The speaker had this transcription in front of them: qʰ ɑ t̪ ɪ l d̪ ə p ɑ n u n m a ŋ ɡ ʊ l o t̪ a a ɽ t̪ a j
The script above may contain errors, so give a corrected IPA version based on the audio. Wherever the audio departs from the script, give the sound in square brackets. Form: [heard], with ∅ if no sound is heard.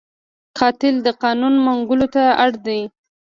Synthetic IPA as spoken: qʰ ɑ t̪ ɪ l d̪ ə [q] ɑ n u n m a ŋ ɡ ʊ l o t̪ a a ɽ [d̪] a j